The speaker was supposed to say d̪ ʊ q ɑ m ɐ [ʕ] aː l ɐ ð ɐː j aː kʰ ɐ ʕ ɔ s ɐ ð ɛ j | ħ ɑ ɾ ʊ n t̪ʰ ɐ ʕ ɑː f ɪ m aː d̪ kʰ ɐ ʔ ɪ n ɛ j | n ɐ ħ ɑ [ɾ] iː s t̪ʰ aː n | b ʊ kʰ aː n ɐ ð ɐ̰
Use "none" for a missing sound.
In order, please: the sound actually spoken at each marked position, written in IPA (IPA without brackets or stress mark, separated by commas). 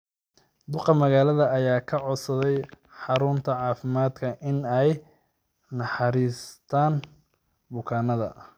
ɣ, ɾ